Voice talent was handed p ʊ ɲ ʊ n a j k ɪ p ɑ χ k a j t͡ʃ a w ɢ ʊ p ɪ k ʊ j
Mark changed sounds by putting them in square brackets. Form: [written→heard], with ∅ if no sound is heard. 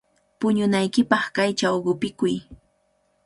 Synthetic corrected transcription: p ʊ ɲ ʊ n a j k ɪ p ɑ χ k a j t͡ʃ a w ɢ ʊ p ɪ k ʊ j